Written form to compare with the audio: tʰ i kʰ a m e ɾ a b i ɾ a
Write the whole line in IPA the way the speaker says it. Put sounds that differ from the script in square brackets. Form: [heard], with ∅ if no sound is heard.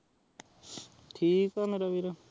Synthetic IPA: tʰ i [k] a m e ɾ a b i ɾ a

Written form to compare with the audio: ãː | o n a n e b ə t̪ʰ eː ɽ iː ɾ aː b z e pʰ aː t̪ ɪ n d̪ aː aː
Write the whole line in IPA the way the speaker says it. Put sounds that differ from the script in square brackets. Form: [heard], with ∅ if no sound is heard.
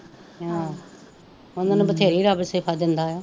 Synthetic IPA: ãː | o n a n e b ə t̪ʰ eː [ɾ] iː ɾ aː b [s] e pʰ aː [d̪] ɪ n d̪ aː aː

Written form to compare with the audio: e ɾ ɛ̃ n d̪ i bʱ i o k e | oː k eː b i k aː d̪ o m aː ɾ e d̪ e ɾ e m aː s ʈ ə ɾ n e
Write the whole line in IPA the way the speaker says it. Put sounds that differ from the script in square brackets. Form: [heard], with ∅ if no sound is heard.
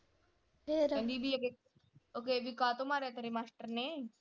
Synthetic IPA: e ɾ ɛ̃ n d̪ i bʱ i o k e | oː k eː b i k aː [t̪] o m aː ɾ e [t̪] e ɾ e m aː s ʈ ə ɾ n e

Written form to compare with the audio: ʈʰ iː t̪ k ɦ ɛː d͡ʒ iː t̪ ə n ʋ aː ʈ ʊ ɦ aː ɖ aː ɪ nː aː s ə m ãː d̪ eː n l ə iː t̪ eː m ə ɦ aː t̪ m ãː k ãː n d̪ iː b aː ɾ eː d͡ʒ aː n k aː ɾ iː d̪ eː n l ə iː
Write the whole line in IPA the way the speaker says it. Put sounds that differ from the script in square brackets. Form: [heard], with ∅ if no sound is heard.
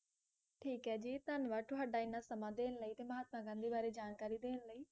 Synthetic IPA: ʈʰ iː [∅] k ɦ ɛː d͡ʒ iː t̪ ə n ʋ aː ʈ ʊ ɦ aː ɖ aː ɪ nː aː s ə m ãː d̪ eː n l ə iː t̪ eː m ə ɦ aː t̪ m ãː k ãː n d̪ iː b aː ɾ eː d͡ʒ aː n k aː ɾ iː d̪ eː n l ə iː

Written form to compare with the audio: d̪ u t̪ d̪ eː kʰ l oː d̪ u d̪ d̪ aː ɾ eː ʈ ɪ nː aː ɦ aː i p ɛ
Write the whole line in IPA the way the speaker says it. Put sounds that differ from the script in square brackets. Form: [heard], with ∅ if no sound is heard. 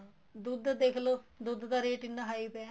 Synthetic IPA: d̪ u [d̪] d̪ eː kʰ l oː d̪ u d̪ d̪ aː ɾ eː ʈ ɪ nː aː ɦ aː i p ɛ

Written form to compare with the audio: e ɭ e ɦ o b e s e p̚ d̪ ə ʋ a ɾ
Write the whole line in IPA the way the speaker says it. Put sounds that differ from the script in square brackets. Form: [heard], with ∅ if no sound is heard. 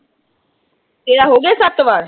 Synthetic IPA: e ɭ [a] ɦ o [ɡ] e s [a] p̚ [t̪] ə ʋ a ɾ

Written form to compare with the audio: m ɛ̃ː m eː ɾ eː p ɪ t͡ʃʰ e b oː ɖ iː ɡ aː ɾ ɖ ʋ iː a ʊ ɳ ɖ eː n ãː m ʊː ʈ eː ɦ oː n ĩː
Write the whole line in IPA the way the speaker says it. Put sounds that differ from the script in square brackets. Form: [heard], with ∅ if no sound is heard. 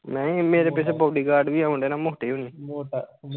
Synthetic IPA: m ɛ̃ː m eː ɾ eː p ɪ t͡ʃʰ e b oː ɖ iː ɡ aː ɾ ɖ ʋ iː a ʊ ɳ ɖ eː n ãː m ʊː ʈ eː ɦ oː n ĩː

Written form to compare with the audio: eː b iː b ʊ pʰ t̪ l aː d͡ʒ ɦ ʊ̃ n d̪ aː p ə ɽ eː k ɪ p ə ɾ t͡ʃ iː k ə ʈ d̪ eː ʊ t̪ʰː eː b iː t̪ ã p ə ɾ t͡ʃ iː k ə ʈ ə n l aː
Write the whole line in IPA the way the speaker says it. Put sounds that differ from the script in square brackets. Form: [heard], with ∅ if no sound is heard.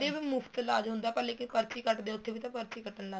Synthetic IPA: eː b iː [m] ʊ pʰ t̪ l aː d͡ʒ ɦ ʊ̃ n d̪ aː p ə [l] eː k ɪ p ə ɾ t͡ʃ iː k ə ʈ d̪ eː ʊ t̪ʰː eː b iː t̪ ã p ə ɾ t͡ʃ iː k ə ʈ ə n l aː

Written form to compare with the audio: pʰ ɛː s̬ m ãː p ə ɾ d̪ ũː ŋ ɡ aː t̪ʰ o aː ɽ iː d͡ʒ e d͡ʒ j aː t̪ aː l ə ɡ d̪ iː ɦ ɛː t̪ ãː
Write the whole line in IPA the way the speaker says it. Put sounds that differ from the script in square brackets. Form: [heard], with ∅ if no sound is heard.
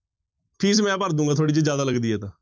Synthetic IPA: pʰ [iː] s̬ m [ɛ̃ː] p ə ɾ d̪ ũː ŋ ɡ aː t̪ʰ o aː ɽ iː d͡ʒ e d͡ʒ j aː [d̪] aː l ə ɡ d̪ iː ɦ ɛː t̪ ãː

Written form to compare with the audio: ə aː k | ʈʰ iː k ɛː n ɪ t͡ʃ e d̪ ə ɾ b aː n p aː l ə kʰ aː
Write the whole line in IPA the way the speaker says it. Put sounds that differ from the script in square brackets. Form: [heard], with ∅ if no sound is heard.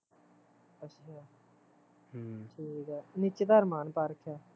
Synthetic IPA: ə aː [∅] | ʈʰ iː k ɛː n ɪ t͡ʃ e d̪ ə ɾ [m] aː n p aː [ɾ] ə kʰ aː

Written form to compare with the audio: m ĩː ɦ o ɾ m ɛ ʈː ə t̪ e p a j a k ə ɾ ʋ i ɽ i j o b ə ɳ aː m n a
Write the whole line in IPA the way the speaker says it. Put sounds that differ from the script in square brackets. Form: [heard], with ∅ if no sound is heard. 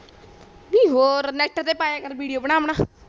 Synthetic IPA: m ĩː ɦ o ɾ [n] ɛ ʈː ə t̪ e p a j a k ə ɾ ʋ i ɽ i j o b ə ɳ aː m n a

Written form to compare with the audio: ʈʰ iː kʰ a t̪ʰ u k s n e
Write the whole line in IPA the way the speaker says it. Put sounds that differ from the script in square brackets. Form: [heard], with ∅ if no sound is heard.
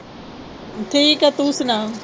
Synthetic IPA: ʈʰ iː [k] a [t̪] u [∅] s n [a]

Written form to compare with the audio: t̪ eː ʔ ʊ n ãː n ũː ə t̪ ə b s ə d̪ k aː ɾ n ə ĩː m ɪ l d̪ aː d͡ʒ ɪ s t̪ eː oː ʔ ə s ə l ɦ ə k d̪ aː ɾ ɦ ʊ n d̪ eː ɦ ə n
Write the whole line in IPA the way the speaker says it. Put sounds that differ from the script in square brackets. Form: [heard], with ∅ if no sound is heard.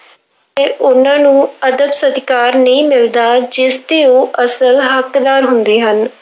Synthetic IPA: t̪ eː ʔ ʊ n ãː n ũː ə [d̪] ə b s ə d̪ k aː ɾ n ə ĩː m ɪ l d̪ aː d͡ʒ ɪ s t̪ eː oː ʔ ə s ə l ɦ ə k d̪ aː ɾ ɦ ʊ n d̪ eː ɦ ə n

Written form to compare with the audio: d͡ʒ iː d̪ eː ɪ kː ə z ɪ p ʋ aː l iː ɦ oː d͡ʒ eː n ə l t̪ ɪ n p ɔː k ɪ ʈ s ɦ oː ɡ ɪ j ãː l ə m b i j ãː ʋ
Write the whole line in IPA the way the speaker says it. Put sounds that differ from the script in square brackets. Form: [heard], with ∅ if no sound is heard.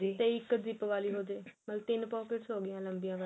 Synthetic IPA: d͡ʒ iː [t̪] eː ɪ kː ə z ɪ p ʋ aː l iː ɦ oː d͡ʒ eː [m] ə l t̪ ɪ n p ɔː k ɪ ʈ s ɦ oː ɡ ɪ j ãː l ə m b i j ãː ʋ

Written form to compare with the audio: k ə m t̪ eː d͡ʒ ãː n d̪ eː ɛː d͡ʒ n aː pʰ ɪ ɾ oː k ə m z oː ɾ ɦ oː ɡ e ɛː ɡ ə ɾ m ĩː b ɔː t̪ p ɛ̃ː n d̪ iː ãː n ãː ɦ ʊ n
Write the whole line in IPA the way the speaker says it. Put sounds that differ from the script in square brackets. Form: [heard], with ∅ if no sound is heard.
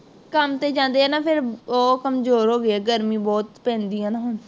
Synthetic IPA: k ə m t̪ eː d͡ʒ ãː n d̪ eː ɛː [∅] n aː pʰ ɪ ɾ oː k ə m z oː ɾ ɦ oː ɡ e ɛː ɡ ə ɾ m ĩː b ɔː t̪ p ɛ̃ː n d̪ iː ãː n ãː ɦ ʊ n

